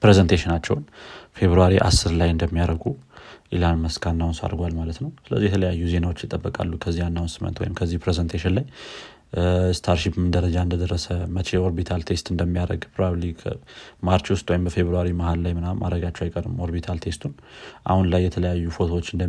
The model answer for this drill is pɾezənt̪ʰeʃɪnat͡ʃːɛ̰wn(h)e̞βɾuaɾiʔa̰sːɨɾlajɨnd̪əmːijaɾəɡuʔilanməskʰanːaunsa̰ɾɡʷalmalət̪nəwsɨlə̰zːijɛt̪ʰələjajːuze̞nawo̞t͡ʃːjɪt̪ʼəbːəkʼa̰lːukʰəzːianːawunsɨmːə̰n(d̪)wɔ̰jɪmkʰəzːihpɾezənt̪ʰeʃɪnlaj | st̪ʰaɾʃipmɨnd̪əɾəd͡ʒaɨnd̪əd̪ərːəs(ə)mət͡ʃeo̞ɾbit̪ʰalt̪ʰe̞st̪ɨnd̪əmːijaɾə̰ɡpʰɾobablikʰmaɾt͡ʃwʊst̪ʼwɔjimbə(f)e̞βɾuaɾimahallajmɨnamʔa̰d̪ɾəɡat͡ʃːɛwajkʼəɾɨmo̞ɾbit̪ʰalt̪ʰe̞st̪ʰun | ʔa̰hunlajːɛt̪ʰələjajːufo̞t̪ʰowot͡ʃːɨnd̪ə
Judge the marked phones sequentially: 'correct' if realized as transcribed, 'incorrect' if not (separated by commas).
incorrect, incorrect, correct, correct